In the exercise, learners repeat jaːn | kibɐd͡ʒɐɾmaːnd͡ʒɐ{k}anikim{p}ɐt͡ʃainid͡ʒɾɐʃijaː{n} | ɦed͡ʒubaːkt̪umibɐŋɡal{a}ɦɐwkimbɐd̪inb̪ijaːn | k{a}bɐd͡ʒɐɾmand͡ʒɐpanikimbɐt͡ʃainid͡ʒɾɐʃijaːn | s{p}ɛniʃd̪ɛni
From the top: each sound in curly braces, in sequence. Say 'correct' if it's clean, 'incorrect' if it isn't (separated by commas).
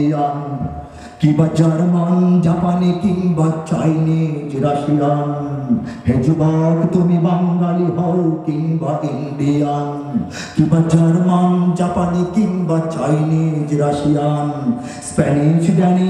incorrect, incorrect, correct, incorrect, incorrect, correct